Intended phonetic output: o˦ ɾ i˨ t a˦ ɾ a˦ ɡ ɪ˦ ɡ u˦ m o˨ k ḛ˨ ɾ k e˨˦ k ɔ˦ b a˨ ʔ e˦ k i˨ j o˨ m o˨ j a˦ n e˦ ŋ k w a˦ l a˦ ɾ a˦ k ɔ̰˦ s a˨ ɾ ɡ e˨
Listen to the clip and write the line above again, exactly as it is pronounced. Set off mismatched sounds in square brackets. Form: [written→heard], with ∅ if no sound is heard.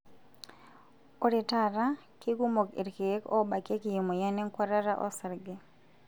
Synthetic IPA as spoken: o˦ ɾ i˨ t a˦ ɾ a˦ [ɡ→k] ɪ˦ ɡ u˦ m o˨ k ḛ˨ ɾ k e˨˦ k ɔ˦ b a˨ [ʔ→k] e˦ k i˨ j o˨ m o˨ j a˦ n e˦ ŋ k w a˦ [l→ɾ] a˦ ɾ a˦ [k→ʔ] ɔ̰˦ s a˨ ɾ ɡ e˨